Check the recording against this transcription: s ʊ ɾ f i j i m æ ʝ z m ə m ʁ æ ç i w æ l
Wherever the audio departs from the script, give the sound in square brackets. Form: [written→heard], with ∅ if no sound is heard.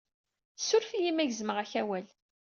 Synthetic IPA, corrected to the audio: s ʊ ɾ f i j i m æ ʝ z m ə [m→∅] ʁ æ ç [i→æ] w æ l